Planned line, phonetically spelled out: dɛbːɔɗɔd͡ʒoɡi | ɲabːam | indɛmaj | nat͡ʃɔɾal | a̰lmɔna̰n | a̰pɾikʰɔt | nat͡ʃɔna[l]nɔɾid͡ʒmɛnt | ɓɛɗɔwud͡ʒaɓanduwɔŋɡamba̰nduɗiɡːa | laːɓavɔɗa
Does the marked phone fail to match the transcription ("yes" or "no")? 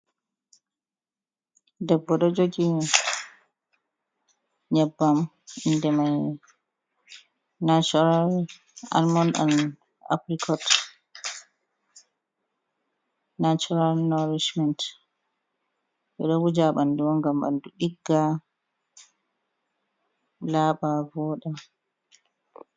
no